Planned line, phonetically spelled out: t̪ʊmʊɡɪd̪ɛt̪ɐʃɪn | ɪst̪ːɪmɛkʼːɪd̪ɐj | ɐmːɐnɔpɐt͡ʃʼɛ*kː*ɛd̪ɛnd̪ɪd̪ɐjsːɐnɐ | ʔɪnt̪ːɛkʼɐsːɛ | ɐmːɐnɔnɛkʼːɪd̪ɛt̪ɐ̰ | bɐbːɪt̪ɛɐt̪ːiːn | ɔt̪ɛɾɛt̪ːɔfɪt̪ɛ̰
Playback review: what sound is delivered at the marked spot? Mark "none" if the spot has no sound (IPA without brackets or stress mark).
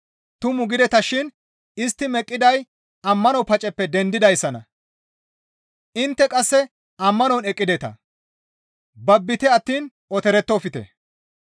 pː